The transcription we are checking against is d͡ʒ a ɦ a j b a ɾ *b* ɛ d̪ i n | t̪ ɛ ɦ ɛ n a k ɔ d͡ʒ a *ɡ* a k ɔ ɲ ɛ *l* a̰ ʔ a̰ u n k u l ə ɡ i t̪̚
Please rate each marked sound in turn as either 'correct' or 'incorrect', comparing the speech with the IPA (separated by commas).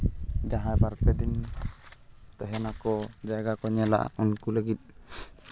incorrect, correct, correct